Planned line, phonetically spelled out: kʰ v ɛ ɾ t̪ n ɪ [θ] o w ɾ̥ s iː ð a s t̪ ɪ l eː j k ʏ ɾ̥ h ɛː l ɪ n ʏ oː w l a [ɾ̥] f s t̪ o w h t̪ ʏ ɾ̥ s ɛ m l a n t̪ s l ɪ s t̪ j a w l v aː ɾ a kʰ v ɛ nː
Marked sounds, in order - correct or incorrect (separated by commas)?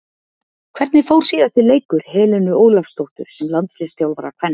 incorrect, incorrect